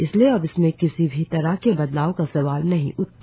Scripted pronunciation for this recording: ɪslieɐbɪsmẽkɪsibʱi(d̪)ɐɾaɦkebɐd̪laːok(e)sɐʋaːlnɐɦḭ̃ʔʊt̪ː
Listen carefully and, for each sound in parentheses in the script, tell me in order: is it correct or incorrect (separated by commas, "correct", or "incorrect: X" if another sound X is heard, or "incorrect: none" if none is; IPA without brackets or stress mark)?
incorrect: t̪, incorrect: a